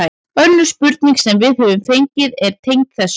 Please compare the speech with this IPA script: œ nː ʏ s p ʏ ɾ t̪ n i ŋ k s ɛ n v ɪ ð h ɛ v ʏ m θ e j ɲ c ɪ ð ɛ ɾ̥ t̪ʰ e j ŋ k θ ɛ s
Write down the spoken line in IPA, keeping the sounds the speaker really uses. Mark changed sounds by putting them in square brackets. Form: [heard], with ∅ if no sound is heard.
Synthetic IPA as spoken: œ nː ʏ s p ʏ ɾ t̪ n i ŋ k s ɛ [m] v ɪ ð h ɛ v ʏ m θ e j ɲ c ɪ ð ɛ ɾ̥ t̪ʰ e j ŋ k θ ɛ s